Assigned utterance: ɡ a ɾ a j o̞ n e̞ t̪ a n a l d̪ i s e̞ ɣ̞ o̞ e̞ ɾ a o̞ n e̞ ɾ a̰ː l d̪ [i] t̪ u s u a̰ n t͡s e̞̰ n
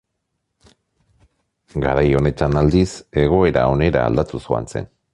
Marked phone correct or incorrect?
incorrect